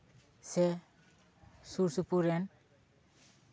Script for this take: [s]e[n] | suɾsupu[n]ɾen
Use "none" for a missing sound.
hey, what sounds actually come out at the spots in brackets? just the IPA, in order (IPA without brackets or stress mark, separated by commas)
s, none, none